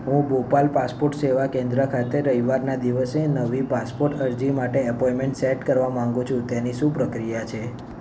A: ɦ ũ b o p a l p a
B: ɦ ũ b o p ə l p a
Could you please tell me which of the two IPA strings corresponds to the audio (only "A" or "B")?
A